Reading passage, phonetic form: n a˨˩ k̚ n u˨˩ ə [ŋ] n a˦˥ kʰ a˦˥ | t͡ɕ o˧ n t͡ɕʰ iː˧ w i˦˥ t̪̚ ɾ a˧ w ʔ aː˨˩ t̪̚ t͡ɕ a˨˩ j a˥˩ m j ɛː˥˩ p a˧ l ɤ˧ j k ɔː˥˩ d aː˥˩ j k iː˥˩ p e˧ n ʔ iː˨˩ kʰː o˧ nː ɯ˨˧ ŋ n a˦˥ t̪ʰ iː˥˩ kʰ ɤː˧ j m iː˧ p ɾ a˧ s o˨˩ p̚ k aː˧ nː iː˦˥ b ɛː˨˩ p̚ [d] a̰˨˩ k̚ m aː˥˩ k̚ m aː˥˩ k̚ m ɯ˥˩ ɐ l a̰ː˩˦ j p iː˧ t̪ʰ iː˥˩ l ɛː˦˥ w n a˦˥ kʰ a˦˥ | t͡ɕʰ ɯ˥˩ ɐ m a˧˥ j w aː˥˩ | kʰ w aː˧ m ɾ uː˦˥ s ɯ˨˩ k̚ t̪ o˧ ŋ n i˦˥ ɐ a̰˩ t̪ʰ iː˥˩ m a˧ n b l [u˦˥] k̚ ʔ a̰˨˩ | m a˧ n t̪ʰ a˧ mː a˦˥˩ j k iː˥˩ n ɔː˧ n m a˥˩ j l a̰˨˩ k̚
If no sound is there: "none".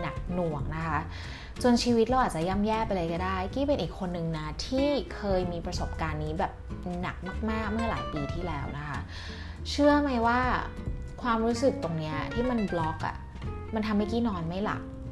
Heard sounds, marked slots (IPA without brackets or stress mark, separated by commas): ŋ, n, ɔ˦˥